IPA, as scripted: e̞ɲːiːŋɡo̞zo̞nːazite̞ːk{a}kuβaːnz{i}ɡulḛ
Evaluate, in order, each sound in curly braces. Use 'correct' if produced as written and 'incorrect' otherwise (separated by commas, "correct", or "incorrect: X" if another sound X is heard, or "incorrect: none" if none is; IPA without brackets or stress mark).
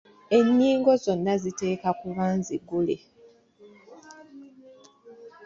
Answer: correct, correct